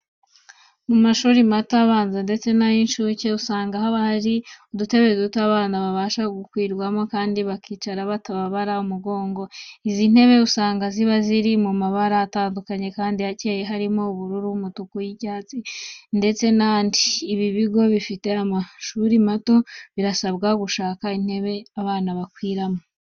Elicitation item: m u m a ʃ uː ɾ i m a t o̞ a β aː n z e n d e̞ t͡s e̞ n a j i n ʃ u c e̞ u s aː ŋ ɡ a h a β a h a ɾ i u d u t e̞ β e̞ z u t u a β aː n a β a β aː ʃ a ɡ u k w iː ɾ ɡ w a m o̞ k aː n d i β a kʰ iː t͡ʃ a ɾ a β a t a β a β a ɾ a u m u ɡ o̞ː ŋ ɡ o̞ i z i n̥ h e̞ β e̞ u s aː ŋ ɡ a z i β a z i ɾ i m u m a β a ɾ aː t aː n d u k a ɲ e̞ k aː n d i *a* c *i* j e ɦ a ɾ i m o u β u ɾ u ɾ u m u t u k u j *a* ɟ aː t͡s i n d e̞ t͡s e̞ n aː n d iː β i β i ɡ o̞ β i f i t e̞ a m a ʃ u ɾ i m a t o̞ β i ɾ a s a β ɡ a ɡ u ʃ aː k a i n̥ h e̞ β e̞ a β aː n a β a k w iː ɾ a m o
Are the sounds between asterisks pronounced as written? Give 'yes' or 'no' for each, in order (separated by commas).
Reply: yes, no, no